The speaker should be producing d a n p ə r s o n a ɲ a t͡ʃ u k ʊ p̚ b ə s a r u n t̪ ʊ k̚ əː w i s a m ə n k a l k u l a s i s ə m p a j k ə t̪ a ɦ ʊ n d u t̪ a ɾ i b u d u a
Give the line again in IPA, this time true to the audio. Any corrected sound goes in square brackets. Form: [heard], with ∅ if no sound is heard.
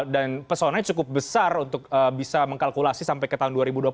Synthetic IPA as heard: d a n p ə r s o n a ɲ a t͡ʃ u k ʊ p̚ b ə s a r u n t̪ ʊ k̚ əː [b] i s a m ə [ŋ] k a l k u l a s i s [a] m p a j k ə t̪ a ɦ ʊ n d u [∅] a ɾ i b u d u a